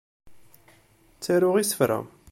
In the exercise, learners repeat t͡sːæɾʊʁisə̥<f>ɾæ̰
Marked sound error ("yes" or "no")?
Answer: no